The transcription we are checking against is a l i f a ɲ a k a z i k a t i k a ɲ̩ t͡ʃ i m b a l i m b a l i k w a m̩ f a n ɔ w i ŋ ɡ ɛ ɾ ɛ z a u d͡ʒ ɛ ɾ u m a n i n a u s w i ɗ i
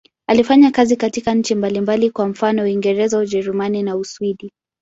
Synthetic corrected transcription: a l i f a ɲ a k a z i k a t i k a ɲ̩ t͡ʃ i m b a l i m b a l i k w a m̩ f a n ɔ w i ŋ ɡ ɛ ɾ ɛ z a u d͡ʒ ɛ ɾ u m a n i n a u s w i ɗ i